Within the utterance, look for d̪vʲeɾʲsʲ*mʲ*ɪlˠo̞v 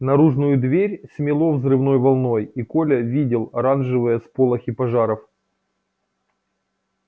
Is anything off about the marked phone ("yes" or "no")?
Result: no